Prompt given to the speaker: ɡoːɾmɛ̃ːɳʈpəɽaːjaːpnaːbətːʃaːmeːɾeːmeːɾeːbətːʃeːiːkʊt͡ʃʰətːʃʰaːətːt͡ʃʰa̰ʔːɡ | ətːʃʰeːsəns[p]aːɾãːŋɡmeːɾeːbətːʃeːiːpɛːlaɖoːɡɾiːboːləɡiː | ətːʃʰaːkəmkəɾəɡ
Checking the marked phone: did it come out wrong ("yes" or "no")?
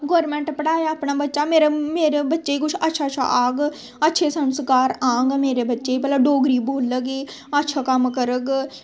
yes